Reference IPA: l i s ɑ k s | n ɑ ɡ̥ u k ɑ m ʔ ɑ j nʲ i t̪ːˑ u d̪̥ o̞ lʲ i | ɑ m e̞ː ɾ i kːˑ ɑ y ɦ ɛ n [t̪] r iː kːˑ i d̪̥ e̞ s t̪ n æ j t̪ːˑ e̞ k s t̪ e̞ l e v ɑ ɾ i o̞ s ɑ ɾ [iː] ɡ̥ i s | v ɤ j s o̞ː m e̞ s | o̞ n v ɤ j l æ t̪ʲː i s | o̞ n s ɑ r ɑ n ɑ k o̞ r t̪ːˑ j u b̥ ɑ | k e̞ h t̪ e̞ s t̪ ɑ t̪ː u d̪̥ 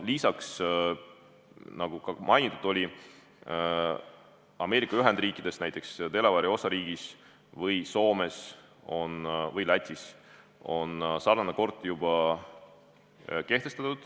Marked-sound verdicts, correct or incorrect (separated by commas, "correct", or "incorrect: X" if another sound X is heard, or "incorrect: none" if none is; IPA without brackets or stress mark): incorrect: d̪, correct